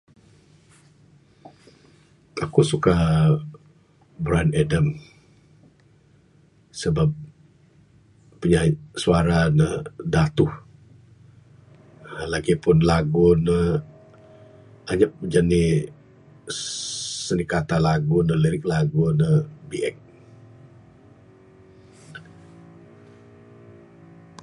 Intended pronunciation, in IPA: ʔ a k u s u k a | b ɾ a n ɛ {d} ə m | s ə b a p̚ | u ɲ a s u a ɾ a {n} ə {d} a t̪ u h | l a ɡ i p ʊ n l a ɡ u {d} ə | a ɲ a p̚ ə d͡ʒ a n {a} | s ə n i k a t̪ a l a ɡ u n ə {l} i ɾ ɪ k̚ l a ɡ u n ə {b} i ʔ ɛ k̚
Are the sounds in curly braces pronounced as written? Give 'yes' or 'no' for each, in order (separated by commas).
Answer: yes, yes, yes, no, no, yes, yes